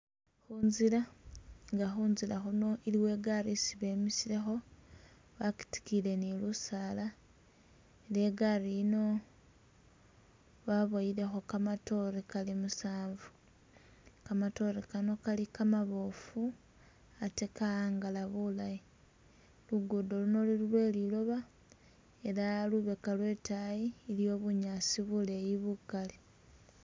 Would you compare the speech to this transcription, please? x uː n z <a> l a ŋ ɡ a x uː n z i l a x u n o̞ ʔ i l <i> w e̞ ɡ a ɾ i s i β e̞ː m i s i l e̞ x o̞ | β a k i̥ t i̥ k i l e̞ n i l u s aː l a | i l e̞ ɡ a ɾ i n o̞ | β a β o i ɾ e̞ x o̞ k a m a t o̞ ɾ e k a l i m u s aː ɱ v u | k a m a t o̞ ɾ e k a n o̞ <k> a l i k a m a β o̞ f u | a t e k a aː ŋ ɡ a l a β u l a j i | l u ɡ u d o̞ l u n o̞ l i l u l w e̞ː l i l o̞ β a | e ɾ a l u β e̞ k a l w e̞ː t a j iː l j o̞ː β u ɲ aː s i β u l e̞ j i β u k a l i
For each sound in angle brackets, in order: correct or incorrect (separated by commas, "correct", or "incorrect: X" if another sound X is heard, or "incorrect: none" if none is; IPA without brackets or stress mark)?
incorrect: i, correct, correct